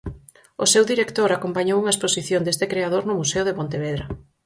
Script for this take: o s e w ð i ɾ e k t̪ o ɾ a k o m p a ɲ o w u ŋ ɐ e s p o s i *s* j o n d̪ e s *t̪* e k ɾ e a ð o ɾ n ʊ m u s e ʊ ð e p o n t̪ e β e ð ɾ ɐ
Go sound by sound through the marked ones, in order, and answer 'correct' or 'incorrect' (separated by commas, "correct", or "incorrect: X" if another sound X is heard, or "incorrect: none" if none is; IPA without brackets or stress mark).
incorrect: θ, correct